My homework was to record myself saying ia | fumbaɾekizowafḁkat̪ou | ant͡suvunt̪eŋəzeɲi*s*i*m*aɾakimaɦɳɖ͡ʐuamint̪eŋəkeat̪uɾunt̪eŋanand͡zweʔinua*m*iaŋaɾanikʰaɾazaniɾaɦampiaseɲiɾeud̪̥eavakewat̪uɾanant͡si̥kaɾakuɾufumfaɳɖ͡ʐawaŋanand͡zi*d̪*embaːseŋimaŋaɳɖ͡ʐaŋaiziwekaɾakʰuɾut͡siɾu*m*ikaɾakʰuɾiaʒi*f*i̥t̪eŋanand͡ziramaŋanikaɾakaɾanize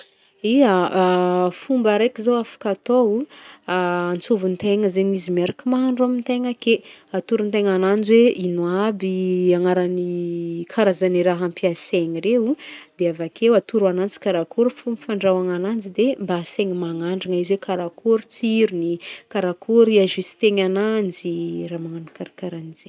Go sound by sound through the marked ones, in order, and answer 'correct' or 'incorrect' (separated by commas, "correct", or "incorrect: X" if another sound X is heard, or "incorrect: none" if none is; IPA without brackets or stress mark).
incorrect: z, correct, incorrect: b, correct, incorrect: n, incorrect: s